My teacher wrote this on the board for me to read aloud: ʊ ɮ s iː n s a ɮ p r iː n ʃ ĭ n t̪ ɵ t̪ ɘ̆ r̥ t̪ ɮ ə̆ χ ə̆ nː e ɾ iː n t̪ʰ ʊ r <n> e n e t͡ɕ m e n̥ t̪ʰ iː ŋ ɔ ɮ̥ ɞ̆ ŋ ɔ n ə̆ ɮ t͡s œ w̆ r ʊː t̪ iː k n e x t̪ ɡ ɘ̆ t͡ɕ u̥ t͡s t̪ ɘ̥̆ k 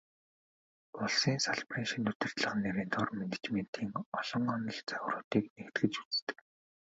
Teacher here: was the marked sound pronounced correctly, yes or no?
no